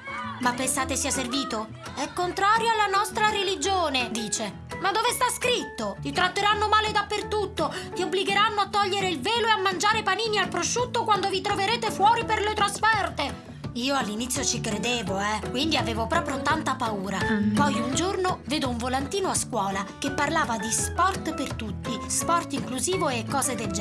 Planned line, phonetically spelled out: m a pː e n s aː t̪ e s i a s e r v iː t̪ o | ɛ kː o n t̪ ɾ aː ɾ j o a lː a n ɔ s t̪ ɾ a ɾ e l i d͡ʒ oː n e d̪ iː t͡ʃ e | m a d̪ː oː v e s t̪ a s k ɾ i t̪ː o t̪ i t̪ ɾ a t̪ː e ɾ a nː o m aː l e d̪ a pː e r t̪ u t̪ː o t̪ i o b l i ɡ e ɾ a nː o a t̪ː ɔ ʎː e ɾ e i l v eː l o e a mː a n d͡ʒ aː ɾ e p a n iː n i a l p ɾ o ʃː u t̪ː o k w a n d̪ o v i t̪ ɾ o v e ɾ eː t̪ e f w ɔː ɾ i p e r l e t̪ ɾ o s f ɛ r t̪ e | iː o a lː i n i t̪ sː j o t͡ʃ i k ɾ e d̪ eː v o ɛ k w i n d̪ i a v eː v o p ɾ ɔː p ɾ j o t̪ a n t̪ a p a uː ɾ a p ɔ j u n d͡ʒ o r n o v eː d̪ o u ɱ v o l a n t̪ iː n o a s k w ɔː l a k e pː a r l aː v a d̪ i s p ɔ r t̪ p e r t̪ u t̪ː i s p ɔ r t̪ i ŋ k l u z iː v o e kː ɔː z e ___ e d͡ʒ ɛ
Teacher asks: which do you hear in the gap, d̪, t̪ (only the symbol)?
d̪